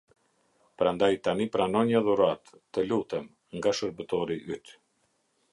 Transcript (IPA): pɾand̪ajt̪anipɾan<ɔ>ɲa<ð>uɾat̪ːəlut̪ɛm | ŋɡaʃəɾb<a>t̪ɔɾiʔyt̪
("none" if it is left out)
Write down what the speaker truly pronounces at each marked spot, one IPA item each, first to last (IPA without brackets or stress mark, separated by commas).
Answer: ɔ, ð, ə